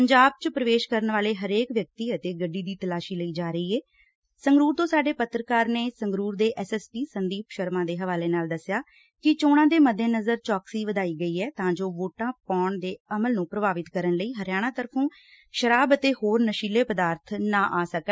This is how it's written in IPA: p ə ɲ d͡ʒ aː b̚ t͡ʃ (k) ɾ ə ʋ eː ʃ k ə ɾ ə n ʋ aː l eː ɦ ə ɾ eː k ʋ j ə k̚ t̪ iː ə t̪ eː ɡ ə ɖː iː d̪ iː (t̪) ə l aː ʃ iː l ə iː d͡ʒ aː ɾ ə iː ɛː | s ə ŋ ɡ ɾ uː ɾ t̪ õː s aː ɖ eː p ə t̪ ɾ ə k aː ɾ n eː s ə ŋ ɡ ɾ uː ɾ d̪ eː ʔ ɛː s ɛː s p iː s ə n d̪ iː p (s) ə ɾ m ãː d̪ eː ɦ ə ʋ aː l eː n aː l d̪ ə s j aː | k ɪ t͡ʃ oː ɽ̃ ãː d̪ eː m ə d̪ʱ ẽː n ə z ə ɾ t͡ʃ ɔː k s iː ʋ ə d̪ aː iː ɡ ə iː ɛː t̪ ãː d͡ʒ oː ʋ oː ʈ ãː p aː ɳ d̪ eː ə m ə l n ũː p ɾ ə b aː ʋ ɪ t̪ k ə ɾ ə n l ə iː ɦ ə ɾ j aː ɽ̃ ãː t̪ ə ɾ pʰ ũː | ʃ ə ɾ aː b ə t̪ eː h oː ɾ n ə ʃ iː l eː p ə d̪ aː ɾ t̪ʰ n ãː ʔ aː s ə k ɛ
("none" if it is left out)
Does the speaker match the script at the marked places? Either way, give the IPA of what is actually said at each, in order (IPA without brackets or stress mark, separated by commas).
p, t̪, ʃ